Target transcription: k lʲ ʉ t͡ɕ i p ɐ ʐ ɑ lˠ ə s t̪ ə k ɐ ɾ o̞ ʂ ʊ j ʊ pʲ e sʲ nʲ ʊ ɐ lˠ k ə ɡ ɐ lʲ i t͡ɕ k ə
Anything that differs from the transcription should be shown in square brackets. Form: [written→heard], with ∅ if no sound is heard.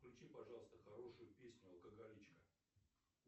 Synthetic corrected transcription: k lʲ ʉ t͡ɕ i p ɐ ʐ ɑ lˠ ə s t̪ ə [k→x] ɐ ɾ o̞ ʂ ʊ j ʊ pʲ e sʲ nʲ ʊ ɐ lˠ k ə ɡ ɐ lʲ i t͡ɕ k ə